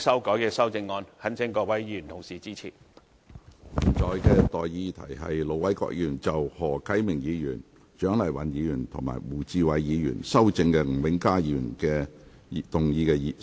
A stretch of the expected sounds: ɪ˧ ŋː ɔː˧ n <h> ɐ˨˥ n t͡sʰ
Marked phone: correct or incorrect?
correct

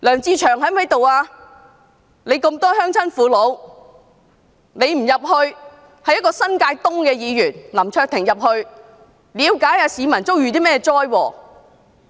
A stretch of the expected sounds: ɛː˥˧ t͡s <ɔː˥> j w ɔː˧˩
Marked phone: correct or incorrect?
correct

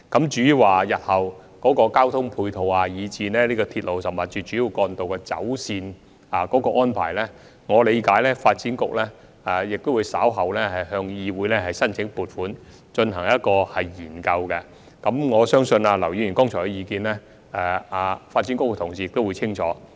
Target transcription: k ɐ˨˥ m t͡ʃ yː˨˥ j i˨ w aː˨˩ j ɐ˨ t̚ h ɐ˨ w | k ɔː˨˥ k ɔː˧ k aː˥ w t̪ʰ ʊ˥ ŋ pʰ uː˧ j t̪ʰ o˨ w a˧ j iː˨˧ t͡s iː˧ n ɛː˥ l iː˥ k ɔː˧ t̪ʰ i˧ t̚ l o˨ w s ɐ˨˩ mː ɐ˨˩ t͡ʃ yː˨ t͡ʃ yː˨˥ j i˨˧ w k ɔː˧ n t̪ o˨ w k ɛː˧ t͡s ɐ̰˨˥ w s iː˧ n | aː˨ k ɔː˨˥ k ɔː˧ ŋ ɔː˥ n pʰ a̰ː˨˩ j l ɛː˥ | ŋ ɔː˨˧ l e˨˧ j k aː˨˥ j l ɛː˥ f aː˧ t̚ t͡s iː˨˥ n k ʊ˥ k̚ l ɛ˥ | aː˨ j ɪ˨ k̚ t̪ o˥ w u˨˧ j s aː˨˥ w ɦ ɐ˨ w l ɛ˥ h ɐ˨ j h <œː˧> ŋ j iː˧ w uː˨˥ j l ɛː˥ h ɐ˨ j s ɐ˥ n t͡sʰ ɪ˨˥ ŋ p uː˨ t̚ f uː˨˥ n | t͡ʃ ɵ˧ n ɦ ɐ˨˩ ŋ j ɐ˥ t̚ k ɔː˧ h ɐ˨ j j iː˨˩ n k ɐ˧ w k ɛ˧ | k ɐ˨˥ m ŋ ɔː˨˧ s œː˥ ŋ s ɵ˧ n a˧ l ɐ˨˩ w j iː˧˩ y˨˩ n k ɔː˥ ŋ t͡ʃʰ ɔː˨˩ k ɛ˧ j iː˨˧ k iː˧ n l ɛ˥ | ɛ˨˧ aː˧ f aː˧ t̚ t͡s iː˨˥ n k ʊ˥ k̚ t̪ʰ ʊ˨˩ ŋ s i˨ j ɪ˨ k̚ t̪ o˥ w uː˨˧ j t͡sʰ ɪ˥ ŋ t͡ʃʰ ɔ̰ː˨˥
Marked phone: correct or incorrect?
correct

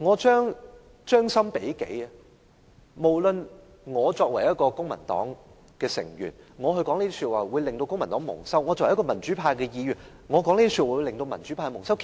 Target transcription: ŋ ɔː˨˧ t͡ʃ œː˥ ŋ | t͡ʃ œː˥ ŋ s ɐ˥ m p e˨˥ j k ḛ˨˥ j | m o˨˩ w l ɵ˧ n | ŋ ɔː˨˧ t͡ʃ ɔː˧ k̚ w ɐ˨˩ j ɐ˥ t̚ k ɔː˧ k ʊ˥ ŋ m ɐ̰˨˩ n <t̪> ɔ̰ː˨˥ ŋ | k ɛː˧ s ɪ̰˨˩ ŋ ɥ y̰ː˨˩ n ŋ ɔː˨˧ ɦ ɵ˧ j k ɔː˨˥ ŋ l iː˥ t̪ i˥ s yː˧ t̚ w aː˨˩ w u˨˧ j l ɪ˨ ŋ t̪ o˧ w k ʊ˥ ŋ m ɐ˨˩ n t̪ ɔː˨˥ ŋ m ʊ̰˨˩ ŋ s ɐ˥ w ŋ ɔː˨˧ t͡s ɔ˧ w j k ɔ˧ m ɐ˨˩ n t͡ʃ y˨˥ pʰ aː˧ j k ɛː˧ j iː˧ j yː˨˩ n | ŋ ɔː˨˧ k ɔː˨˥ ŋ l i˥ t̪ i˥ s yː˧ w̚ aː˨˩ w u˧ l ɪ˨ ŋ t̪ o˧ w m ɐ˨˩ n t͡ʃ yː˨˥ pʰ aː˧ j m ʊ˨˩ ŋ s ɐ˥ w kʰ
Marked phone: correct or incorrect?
correct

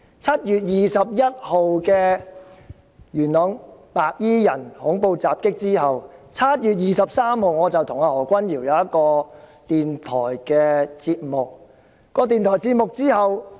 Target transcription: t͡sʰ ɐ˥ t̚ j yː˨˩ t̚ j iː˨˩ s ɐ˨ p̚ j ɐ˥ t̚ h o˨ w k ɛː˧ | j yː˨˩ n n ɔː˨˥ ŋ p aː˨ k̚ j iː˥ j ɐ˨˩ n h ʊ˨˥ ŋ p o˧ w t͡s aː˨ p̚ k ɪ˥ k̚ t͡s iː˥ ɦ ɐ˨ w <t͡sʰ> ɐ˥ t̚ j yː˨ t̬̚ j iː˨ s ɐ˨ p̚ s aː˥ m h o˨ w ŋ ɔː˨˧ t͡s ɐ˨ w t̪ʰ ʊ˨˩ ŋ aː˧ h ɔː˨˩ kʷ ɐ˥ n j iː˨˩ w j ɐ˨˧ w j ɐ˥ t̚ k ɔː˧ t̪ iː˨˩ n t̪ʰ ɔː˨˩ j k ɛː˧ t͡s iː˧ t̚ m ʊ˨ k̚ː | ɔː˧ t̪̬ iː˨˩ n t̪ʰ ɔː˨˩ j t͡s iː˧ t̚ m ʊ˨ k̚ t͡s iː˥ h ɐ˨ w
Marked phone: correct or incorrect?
correct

